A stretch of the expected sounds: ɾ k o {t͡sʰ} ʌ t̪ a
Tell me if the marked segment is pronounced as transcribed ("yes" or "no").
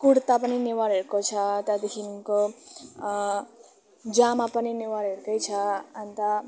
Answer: yes